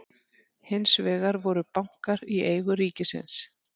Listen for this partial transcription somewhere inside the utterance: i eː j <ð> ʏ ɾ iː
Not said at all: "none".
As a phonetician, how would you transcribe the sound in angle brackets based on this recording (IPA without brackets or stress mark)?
ɣ